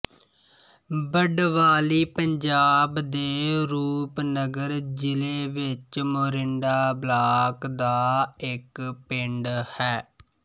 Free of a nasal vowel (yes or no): yes